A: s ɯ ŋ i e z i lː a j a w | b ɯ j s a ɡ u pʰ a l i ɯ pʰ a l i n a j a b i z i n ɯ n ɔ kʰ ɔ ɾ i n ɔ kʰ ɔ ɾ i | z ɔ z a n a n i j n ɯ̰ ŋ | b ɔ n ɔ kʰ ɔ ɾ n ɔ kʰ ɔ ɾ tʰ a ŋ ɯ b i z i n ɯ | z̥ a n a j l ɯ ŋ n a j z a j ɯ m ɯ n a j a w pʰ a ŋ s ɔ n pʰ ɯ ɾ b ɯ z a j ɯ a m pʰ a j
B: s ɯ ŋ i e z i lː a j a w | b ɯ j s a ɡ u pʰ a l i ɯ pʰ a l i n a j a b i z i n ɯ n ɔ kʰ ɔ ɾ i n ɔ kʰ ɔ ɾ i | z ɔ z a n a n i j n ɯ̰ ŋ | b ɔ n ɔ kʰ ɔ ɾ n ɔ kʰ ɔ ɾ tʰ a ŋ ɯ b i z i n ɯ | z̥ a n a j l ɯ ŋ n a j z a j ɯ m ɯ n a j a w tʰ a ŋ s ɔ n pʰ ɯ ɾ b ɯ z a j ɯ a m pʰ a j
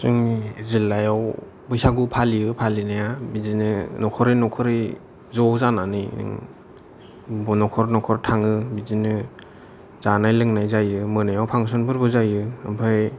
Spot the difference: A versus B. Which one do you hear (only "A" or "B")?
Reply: A